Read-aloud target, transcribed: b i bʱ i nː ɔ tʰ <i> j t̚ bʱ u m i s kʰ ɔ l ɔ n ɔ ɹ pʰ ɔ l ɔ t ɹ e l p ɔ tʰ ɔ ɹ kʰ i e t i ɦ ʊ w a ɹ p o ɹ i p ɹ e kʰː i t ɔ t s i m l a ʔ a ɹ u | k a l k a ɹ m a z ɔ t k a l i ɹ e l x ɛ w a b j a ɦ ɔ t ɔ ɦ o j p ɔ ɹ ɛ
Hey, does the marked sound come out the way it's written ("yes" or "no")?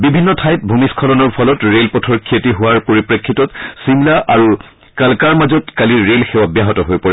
no